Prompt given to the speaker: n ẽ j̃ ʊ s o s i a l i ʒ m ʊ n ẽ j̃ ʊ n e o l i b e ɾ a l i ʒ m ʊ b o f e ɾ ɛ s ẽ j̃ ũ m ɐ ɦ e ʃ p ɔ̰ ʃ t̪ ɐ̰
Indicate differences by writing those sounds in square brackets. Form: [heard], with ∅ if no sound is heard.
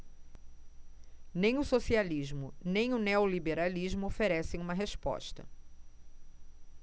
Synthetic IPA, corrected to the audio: n ẽ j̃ ʊ s o s i a l i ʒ m ʊ n ẽ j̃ ʊ n e o l i b e ɾ a l i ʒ m ʊ [∅] o f e ɾ ɛ s ẽ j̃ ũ m ɐ ɦ e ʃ p ɔ̰ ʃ t̪ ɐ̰